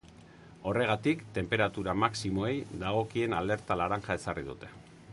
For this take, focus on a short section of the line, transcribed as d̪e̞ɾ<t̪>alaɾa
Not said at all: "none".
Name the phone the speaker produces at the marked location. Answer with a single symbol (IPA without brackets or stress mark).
t̪